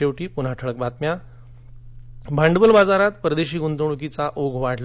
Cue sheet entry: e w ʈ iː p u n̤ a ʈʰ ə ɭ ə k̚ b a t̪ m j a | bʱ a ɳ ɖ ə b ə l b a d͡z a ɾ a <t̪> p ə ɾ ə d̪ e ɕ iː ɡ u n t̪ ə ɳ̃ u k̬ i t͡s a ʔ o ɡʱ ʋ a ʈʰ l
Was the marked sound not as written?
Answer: no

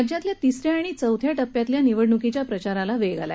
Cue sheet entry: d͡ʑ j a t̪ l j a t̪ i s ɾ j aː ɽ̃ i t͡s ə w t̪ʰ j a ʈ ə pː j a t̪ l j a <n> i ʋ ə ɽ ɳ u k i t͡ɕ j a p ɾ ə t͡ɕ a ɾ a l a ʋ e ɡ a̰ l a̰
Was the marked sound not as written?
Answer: no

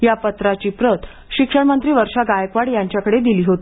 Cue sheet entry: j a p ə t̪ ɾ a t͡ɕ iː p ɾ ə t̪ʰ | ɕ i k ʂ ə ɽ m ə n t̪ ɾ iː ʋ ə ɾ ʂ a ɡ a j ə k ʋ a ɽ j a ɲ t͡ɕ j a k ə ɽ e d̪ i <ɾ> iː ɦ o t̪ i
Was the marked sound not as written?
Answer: yes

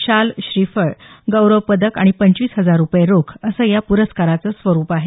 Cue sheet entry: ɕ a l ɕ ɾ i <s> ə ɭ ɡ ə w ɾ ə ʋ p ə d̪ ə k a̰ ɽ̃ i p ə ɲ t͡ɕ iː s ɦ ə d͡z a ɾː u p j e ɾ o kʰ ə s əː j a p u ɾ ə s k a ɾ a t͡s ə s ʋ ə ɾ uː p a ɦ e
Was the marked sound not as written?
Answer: yes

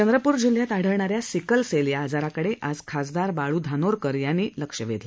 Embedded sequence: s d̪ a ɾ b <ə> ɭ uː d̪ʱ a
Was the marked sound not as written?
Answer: yes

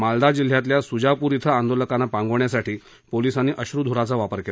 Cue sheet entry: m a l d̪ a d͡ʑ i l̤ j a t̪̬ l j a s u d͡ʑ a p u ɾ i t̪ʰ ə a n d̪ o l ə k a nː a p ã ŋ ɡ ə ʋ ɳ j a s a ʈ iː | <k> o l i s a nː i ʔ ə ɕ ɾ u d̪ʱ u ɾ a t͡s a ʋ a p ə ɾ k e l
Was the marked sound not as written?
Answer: yes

